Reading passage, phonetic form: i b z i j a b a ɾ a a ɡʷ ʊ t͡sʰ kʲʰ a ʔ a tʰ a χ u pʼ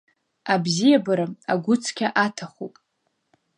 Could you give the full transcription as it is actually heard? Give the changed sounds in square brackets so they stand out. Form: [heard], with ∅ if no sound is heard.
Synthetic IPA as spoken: [a] b z i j a b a ɾ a a ɡʷ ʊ t͡sʰ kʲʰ a ʔ a tʰ a χ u pʼ